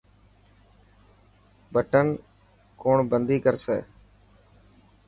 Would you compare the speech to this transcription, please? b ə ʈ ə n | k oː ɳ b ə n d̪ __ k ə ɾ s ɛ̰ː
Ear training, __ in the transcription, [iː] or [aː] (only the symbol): iː